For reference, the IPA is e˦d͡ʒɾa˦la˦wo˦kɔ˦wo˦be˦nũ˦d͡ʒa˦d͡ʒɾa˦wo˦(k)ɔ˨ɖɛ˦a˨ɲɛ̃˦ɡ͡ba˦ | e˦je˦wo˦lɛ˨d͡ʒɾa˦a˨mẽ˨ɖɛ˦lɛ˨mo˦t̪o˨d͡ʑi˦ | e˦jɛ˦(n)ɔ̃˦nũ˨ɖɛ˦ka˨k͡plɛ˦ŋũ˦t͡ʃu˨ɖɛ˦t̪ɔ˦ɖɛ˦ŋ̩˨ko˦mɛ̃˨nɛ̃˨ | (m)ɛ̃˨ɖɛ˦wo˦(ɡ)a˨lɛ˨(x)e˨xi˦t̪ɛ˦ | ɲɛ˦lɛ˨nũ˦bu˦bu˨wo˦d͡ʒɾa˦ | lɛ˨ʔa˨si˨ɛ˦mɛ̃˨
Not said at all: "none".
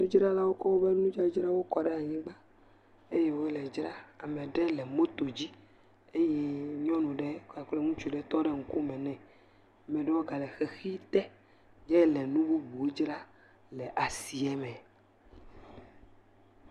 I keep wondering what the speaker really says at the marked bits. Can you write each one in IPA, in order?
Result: k, ɲ, m, ɡ, x

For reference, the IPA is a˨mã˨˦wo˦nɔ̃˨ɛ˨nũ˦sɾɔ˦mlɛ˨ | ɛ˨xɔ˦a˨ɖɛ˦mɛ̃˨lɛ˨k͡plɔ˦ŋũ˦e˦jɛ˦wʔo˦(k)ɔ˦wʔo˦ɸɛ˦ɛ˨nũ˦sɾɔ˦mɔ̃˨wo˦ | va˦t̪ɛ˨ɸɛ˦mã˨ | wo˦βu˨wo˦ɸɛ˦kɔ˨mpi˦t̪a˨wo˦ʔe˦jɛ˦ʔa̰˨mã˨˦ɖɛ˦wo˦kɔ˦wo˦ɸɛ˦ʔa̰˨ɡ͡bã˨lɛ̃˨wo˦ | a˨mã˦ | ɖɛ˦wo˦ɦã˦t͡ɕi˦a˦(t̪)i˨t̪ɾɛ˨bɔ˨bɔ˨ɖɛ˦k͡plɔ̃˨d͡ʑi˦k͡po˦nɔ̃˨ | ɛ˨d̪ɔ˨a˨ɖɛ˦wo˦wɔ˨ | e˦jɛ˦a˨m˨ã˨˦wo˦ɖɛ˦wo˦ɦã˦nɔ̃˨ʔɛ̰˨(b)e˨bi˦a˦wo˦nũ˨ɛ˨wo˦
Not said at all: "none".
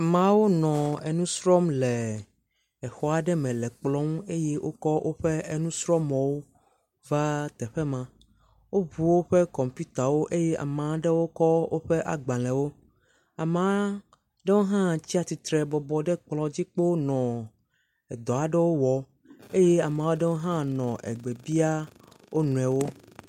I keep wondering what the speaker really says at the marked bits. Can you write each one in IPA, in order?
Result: k, t̪, ɡ͡b

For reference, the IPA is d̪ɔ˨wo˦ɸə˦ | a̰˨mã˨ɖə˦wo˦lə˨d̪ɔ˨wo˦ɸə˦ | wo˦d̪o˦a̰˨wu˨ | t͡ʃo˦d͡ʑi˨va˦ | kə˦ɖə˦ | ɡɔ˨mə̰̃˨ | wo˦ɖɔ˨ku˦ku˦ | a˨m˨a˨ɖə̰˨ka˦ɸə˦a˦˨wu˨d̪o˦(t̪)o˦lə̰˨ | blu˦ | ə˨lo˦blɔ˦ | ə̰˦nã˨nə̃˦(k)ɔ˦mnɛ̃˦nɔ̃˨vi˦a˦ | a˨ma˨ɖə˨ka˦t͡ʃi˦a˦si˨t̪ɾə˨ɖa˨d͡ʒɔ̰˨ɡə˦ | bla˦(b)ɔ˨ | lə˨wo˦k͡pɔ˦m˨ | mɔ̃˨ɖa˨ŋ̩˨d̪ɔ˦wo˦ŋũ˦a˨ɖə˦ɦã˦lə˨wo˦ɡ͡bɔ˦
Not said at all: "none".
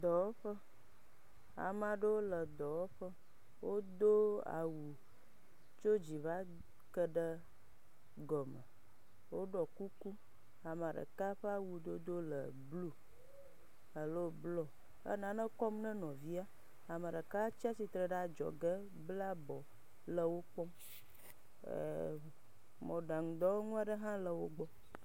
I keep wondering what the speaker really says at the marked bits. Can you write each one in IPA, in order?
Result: d̪, k, b

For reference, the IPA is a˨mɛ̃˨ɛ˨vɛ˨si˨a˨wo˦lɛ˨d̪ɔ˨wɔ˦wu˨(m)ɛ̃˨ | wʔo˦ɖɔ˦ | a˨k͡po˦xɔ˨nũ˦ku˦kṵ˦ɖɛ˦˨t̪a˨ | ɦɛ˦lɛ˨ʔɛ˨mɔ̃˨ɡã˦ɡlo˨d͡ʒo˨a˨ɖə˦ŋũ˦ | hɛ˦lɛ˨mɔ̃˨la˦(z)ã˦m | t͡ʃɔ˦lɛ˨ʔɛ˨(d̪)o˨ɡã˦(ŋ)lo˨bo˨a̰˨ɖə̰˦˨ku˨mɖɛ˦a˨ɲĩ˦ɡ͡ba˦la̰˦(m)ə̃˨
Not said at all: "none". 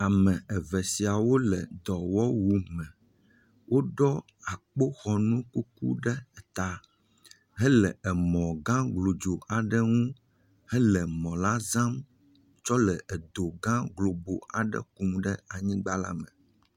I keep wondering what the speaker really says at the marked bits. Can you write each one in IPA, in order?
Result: m, z, d̪, ɡ, m

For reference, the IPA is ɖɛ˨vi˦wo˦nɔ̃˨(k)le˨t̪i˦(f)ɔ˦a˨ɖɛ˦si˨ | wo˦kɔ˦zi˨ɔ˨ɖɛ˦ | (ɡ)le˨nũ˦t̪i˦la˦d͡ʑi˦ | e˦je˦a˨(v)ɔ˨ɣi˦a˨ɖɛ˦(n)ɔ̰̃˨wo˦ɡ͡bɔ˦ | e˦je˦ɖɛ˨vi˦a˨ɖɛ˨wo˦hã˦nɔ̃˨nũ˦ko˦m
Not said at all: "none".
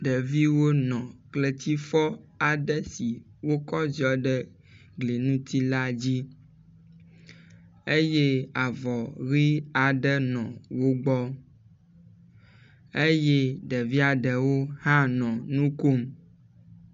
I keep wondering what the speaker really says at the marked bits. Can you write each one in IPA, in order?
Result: k, f, ɡ, v, n

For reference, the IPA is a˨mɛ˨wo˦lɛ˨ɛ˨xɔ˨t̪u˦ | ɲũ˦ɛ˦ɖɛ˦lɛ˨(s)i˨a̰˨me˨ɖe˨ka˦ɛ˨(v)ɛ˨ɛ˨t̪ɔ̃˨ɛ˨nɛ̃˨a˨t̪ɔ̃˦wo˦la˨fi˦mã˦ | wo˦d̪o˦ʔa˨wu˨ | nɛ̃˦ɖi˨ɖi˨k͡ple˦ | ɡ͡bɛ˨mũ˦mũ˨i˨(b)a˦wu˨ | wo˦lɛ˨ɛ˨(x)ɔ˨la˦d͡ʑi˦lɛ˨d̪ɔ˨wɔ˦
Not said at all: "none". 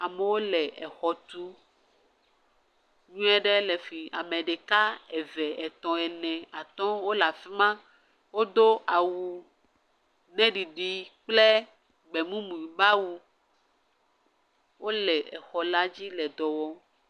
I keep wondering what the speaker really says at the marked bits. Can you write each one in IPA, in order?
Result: f, v, b, x

